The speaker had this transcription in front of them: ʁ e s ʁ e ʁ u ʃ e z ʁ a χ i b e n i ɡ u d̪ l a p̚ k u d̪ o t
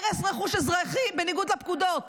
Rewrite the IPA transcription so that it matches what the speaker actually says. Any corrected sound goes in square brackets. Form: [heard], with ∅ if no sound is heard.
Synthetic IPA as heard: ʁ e s ʁ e [χ] u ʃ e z ʁ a χ i b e n i ɡ u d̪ l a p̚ k u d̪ o t